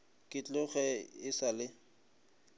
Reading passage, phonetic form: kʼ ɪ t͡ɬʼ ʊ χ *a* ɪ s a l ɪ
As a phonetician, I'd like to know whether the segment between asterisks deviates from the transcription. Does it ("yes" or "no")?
yes